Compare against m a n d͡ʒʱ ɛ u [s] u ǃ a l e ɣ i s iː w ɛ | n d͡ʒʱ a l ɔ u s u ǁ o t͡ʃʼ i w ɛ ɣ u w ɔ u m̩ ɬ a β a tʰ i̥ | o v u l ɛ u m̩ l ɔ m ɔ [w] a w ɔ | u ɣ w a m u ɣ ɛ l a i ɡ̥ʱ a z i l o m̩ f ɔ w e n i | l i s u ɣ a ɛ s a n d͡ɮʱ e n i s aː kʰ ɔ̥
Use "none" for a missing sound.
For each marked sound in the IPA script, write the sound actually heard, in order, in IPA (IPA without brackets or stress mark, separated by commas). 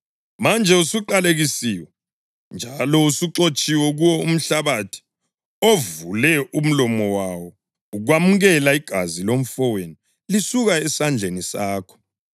s, w